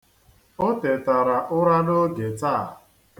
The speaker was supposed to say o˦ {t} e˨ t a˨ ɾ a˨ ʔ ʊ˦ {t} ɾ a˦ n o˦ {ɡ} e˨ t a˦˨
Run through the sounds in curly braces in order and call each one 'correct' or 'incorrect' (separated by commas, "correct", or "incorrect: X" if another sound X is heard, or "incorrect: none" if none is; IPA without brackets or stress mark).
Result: correct, incorrect: none, correct